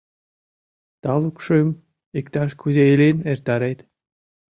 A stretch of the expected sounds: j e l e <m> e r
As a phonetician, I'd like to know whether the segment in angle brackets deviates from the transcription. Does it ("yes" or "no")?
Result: yes